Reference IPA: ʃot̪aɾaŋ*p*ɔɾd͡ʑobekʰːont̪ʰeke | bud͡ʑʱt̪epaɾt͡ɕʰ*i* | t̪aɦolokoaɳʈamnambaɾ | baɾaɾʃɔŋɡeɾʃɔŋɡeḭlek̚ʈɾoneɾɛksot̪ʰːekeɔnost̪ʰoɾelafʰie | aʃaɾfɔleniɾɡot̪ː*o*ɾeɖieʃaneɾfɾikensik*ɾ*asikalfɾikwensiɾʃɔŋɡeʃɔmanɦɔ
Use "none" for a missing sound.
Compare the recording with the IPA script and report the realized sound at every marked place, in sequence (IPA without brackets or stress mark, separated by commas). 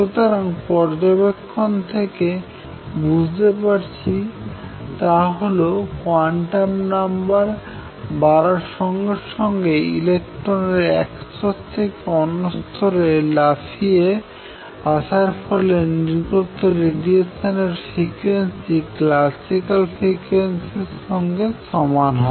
p, i, o, l